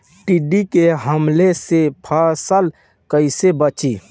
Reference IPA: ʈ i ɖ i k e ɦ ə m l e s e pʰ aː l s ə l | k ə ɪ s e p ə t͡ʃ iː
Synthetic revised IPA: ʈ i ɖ i k e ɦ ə m l e s e pʰ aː s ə l | k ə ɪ s e b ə t͡ʃ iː